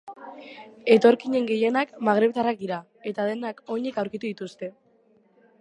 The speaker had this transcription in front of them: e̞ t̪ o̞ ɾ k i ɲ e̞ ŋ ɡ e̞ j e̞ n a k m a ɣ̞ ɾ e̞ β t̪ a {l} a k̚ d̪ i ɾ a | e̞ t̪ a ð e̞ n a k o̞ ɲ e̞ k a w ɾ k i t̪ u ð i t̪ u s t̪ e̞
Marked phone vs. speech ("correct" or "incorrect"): incorrect